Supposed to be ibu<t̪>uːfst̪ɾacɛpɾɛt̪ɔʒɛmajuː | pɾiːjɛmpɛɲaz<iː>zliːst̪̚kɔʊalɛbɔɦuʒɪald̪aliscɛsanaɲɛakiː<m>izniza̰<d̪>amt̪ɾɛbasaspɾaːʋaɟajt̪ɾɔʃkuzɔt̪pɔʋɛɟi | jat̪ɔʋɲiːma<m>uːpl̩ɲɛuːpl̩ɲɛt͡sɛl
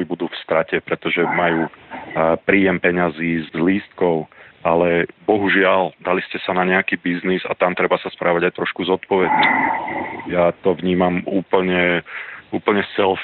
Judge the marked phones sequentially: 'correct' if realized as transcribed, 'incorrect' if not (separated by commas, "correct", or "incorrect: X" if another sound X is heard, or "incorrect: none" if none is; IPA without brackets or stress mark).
incorrect: d̪, correct, incorrect: b, incorrect: t̪, correct